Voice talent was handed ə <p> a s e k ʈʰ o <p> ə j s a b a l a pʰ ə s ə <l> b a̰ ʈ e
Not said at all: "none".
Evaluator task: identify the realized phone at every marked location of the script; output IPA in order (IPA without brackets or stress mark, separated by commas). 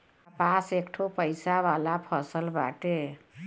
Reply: p, p, l